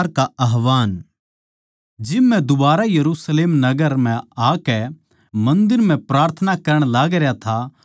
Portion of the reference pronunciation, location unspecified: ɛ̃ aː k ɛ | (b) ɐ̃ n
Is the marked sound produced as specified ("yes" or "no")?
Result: no